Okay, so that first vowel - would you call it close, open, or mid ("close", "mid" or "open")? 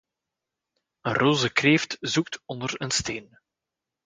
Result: mid